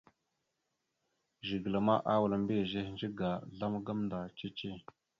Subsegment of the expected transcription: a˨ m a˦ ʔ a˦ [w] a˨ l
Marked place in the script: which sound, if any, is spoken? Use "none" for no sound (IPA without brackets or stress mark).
w